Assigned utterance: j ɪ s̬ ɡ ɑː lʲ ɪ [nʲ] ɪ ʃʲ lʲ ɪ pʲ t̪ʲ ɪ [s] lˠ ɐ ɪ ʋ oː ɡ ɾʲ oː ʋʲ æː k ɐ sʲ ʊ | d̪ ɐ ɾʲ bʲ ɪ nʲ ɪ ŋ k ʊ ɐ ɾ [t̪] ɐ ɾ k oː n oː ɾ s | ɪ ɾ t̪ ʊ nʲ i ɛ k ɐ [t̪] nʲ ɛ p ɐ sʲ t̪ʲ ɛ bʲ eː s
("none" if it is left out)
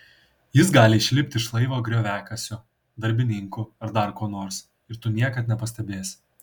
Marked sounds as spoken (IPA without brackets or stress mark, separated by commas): none, ʃ, d̪, t̪